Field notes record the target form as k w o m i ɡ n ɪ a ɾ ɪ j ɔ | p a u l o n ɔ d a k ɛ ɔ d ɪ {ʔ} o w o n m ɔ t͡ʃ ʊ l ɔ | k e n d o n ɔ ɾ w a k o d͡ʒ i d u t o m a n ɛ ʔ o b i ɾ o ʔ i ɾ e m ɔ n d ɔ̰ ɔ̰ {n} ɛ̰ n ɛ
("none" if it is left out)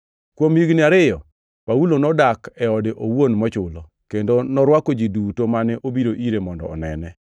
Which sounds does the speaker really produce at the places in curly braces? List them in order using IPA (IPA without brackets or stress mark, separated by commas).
ʔ, n